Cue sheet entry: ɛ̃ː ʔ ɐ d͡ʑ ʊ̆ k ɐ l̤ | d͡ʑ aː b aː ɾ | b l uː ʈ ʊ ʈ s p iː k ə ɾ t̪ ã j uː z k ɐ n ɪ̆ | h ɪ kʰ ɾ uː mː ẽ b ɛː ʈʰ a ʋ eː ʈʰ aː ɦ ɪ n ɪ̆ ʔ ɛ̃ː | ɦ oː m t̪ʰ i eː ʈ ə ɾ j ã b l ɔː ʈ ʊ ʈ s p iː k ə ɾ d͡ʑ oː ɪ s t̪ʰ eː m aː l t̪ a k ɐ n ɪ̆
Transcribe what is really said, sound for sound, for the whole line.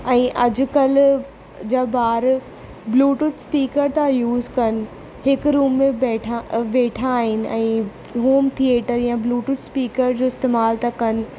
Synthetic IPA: ɛ̃ː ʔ ɐ d͡ʑ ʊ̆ k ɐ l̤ | d͡ʑ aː b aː ɾ | b l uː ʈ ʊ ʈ s p iː k ə ɾ t̪ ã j uː z k ɐ n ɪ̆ | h ɪ k ɾ uː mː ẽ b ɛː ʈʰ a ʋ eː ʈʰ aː ɦ ɪ n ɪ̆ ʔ ɛ̃ː | ɦ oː m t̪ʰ i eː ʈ ə ɾ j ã b l uː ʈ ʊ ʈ s p iː k ə ɾ d͡ʑ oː ɪ s t̪ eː m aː l t̪ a k ɐ n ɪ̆